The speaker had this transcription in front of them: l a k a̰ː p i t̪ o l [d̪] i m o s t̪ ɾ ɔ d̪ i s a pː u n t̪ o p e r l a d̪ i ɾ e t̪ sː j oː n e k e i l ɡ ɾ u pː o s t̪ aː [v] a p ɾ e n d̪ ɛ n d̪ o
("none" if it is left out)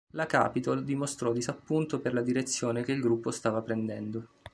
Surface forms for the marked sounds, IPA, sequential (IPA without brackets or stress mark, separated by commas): d̪, v